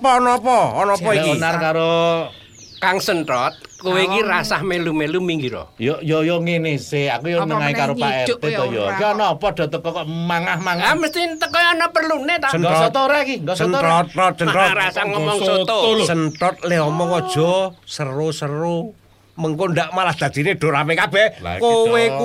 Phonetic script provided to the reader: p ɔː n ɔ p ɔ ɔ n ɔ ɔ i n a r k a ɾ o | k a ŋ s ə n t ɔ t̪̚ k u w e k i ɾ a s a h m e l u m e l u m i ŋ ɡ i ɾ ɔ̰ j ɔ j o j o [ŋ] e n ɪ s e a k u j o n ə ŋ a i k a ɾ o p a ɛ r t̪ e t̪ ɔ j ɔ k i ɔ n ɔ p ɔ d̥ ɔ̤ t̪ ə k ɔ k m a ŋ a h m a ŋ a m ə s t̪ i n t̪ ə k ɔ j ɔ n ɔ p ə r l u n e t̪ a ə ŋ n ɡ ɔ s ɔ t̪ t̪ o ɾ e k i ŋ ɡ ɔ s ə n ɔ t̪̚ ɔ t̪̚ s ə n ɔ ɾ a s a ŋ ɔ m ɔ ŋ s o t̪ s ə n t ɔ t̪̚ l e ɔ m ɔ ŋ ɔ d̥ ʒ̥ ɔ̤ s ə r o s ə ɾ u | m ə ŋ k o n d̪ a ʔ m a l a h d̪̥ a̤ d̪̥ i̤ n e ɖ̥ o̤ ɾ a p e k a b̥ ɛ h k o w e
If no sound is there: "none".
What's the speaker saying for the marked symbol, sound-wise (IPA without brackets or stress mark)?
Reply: ŋ